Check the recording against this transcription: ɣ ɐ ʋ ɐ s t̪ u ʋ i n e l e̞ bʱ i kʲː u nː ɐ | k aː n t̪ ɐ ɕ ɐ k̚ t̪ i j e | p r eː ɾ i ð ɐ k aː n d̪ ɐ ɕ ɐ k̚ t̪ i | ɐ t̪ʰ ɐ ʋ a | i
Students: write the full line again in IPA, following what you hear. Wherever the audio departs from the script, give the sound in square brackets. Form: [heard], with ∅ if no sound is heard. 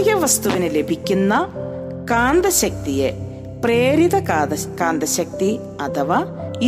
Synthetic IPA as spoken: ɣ ɐ ʋ ɐ s t̪ u ʋ i n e l e̞ bʱ i kʲː u nː ɐ | k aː n [d̪] ɐ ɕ ɐ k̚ t̪ i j e | p r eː ɾ i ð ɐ k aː n d̪ ɐ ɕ ɐ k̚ t̪ i | ɐ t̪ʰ ɐ ʋ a | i